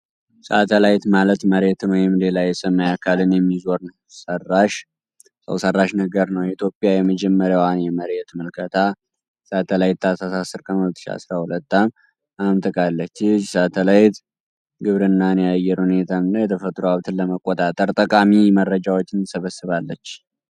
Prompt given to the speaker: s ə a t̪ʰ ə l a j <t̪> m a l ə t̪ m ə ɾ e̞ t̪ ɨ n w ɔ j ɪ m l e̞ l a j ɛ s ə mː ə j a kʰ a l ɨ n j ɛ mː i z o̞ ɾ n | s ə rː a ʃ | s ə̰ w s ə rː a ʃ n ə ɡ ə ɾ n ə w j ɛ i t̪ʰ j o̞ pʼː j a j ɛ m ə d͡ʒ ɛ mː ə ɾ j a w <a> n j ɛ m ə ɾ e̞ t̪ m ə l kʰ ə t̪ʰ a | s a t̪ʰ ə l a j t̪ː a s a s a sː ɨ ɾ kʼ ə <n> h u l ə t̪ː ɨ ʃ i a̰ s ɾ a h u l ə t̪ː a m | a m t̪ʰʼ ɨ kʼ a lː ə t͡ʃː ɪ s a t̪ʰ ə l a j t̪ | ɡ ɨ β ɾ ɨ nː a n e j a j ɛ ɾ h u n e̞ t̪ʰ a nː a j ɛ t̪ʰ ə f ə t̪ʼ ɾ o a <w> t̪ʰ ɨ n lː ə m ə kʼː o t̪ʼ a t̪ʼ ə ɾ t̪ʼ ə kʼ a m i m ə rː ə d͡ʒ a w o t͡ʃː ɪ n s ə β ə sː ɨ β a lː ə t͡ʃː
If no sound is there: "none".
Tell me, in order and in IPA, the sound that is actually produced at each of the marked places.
t̪, a, n, β

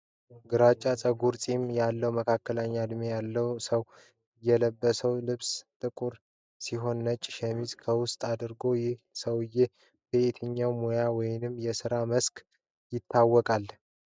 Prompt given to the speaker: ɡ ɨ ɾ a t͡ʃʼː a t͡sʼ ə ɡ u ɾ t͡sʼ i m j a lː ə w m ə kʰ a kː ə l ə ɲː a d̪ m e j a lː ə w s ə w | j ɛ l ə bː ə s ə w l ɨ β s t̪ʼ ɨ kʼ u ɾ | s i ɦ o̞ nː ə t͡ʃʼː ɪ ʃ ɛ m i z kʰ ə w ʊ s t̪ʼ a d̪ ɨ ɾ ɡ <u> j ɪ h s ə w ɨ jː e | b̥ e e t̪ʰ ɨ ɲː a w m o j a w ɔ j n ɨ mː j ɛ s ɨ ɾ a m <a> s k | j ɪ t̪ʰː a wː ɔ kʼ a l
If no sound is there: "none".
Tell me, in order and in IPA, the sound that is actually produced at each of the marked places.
o, ə

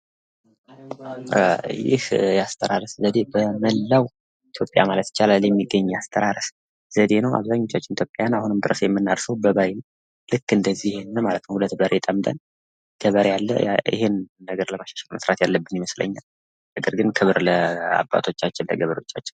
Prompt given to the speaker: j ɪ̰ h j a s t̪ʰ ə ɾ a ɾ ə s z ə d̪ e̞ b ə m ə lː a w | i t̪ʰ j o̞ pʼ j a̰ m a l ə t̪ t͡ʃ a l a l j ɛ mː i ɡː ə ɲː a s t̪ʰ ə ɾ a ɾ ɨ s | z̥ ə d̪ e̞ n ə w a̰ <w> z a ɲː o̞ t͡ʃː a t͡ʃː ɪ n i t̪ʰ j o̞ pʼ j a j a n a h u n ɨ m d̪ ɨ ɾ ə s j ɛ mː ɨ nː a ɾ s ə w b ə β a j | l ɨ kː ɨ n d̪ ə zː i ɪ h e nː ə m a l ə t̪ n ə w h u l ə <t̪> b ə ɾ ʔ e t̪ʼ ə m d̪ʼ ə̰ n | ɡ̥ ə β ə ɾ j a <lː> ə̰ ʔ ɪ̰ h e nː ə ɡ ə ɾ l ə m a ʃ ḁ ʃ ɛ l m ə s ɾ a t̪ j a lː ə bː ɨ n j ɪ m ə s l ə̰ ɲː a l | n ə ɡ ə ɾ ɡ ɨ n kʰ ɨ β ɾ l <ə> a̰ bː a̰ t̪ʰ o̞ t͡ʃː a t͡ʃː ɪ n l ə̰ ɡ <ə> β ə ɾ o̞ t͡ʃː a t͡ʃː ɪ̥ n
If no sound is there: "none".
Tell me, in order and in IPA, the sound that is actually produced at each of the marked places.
β, t̪, lː, ə, ə

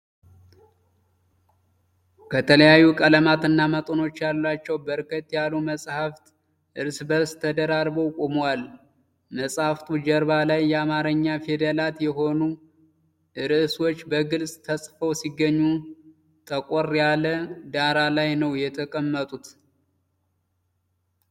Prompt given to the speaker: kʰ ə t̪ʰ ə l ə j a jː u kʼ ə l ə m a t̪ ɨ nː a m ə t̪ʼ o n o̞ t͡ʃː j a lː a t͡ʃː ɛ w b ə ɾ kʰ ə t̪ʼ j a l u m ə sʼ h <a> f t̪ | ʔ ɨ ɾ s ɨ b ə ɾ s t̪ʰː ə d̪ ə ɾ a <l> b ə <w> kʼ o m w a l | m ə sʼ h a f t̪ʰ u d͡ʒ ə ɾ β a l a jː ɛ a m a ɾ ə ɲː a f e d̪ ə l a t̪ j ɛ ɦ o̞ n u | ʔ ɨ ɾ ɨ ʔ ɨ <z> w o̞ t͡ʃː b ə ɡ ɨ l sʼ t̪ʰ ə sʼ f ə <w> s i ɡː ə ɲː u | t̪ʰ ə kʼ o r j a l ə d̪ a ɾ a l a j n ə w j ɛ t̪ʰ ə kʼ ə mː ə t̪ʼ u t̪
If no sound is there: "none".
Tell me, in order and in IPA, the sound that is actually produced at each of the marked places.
a, ɾ, w, s, w

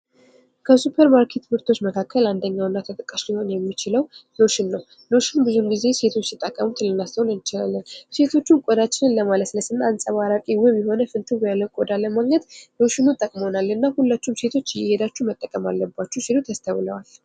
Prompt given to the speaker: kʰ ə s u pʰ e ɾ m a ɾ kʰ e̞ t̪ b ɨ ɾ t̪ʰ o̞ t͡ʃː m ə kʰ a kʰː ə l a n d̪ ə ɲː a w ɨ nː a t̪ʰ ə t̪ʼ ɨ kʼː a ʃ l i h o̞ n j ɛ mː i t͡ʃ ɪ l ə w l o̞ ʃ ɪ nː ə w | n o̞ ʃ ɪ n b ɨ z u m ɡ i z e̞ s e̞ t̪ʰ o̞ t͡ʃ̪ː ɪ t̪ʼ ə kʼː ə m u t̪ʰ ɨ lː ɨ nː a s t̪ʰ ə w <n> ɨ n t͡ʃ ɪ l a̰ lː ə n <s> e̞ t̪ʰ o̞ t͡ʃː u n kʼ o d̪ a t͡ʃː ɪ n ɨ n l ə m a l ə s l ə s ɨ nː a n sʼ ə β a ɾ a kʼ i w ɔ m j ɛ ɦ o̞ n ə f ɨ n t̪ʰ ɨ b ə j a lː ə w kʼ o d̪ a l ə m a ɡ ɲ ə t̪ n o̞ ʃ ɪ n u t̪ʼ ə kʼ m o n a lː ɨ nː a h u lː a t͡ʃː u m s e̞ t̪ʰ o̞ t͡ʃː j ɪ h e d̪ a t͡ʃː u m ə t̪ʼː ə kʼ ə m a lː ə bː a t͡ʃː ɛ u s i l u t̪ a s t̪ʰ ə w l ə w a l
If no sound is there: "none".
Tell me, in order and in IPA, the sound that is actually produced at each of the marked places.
n, s

